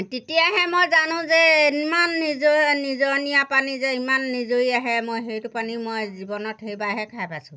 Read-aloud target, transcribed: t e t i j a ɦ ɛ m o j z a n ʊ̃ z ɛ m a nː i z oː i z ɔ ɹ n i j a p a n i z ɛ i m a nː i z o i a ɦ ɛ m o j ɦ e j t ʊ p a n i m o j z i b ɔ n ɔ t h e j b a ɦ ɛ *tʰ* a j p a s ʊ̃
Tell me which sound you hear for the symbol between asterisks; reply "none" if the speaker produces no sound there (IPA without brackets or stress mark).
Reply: kʰ